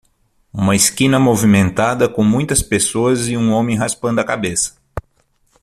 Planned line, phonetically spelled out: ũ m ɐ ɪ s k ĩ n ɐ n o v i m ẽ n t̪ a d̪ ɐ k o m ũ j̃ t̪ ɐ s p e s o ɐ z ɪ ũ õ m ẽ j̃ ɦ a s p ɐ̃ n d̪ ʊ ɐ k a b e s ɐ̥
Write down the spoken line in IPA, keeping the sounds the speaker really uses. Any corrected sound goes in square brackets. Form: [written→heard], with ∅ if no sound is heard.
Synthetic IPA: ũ m ɐ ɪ s k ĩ n ɐ [n→m] o v i m ẽ n t̪ a d̪ ɐ k [o→õ] m ũ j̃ t̪ ɐ s p e s o ɐ z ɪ ũ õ m ẽ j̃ ɦ a s p ɐ̃ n d̪ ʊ ɐ k a b e s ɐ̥